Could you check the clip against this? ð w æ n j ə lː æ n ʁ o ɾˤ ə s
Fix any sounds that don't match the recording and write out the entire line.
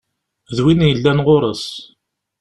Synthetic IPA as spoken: ð w i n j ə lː æ n ʁ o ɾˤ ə s